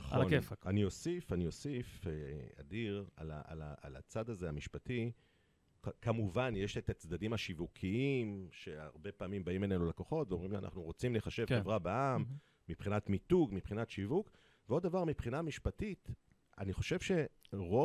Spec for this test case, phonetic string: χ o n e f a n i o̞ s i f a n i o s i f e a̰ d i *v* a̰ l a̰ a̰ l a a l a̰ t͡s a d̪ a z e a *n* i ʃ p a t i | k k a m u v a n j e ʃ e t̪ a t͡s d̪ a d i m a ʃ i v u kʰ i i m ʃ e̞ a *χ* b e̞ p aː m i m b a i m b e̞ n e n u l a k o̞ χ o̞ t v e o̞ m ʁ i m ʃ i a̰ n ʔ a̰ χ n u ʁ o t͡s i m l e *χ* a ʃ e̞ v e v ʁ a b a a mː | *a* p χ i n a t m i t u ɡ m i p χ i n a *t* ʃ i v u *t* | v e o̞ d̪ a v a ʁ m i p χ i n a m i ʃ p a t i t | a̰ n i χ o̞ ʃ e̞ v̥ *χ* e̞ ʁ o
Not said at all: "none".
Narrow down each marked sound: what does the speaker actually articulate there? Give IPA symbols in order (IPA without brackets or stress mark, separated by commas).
ʁ, m, ʁ, χ, i, t, k, ʃ